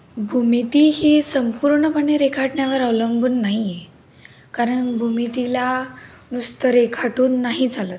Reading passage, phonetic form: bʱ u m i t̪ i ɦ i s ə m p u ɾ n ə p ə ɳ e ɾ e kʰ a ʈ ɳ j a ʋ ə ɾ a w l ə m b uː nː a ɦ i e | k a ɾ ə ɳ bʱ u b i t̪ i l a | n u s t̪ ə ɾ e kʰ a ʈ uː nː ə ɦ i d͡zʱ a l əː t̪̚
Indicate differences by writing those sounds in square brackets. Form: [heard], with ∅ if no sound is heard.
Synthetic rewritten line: bʱ u m i t̪ i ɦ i s ə m p u ɾ [ɳ] ə p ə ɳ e ɾ e kʰ a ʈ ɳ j a ʋ ə ɾ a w l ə m b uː nː a ɦ i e | k a ɾ ə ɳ bʱ u [m] i t̪ i l a | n u s t̪ ə ɾ e kʰ a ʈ uː nː [a] ɦ i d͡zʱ a l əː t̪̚